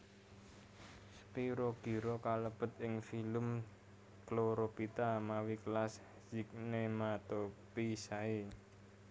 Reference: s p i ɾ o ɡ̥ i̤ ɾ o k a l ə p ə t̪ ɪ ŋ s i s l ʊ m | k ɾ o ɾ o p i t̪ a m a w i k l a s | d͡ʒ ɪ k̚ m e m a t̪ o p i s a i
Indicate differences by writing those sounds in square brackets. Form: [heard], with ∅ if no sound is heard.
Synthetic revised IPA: s p i ɾ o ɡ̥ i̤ ɾ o k a l ə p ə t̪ ɪ ŋ [f] i [∅] l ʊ m | k [l] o ɾ o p i t̪ a m a w i k l a s | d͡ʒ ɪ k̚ [n] e m a t̪ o p i s a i